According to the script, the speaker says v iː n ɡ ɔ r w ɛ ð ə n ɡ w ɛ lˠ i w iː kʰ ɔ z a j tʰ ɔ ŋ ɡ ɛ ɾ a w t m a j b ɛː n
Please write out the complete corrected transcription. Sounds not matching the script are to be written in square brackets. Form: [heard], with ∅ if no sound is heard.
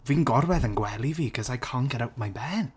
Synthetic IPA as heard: v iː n ɡ ɔ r w ɛ ð ə n ɡ w ɛ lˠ i [v] iː kʰ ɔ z a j [kʰ] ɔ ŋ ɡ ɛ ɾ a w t m a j b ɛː n

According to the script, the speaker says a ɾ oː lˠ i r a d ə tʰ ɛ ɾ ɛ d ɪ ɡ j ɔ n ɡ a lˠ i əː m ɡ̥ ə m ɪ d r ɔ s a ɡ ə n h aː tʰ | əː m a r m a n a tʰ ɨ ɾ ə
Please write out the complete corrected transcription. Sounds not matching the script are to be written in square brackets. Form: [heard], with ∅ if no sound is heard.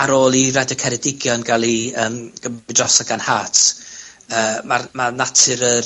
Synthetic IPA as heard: a ɾ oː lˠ i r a d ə [kʰ] ɛ ɾ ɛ d ɪ ɡ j ɔ n ɡ a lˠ i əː m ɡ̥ ə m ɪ d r ɔ s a ɡ [a] n h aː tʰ | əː m a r m a n a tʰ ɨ ɾ ə

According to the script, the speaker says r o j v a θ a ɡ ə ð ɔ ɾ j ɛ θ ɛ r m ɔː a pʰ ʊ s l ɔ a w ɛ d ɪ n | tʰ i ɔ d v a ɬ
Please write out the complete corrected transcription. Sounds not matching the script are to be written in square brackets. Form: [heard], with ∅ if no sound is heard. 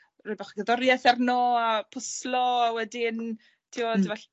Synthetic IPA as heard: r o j [b] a [χ] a ɡ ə ð ɔ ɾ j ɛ θ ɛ r [n] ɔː a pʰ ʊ s l ɔ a w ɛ d ɪ n | tʰ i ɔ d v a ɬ

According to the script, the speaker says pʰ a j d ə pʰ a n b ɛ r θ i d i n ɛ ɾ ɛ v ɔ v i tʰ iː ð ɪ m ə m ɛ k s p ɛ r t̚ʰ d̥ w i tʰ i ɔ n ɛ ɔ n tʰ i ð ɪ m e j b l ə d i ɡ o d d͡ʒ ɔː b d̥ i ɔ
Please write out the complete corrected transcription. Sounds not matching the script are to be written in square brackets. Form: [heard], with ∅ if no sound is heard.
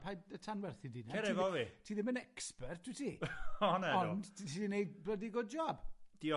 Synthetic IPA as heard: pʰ a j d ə [tʰ] a n [w] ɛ r θ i d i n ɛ ɾ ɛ v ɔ v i tʰ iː ð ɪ m ə [n] ɛ k s p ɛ r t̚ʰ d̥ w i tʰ i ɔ n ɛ ɔ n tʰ i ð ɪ [n] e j b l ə d i ɡ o d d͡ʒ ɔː b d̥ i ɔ

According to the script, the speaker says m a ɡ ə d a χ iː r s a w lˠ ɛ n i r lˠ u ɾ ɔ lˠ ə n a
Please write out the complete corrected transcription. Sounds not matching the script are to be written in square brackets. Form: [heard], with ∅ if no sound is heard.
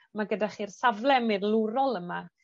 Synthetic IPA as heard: m a ɡ ə d a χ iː r s a [v] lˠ ɛ [m] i r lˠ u ɾ ɔ lˠ ə [m] a

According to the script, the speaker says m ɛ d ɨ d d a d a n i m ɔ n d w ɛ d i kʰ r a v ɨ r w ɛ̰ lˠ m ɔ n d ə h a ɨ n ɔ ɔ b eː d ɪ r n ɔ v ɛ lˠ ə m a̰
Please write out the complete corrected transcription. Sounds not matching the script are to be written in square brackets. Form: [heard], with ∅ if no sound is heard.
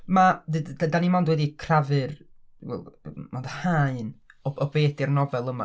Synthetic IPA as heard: m [a] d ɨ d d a d a n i m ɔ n d w ɛ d i kʰ r a v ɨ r w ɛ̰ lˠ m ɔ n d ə h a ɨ n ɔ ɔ b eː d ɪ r n ɔ v ɛ lˠ ə m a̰

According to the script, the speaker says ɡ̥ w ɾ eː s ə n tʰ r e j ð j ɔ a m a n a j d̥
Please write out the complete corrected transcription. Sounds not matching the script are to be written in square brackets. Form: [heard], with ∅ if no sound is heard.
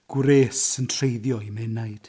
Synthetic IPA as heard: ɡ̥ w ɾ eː s ə n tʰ r e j ð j ɔ [i] m [ɛ] n a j d̥

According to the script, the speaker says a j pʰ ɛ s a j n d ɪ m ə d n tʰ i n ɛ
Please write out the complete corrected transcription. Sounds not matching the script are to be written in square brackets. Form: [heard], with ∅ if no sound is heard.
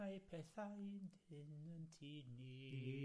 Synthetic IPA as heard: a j pʰ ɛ [θ] a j n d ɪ [n] ə [∅] n tʰ i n [i]

